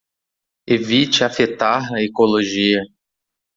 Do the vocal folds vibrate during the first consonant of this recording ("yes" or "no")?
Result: yes